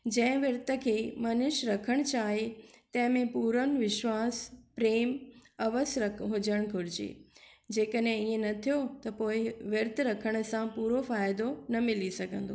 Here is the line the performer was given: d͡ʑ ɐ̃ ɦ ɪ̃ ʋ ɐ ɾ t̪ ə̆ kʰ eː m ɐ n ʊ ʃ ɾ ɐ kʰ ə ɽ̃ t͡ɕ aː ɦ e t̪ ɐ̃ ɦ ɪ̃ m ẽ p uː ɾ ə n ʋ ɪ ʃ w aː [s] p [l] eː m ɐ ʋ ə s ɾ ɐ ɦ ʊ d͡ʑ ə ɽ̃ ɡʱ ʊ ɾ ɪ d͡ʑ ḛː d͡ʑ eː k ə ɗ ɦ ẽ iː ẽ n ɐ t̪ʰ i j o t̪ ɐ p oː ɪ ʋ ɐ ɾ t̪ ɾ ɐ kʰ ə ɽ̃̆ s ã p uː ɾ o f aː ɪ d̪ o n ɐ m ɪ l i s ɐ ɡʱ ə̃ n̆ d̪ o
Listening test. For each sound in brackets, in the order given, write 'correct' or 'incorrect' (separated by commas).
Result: correct, incorrect